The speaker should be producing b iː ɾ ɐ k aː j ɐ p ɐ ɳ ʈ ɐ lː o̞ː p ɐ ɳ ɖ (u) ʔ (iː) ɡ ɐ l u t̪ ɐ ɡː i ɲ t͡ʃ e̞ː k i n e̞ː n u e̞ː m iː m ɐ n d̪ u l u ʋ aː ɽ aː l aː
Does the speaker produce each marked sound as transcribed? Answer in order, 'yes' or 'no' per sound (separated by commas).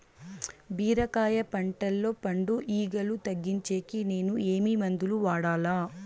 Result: yes, yes